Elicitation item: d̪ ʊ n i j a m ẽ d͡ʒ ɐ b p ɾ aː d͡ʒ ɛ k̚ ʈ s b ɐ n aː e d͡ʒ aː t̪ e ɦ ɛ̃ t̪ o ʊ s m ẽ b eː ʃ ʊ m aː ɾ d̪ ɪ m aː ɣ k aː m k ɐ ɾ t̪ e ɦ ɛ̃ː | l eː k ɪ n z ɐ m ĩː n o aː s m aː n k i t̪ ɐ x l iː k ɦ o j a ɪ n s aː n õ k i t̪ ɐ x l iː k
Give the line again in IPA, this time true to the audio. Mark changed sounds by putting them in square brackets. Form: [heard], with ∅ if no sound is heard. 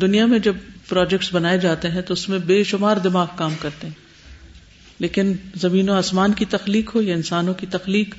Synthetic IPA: d̪ ʊ n i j a m ẽ d͡ʒ ɐ b p ɾ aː d͡ʒ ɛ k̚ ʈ s b ɐ n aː e d͡ʒ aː t̪ e ɦ ɛ̃ t̪ o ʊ s m ẽ b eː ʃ ʊ m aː ɾ d̪ ɪ m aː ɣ k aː m k ɐ ɾ t̪ e ɦ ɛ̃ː | l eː k ɪ n z ɐ m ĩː n o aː s m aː n k i t̪ ɐ x l iː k ɦ o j a ɪ n s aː n õ k i t̪ ɐ x l iː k